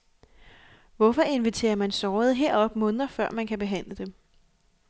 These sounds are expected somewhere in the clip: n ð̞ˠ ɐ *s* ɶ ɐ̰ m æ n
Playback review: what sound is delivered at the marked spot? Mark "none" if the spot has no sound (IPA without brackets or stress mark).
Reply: f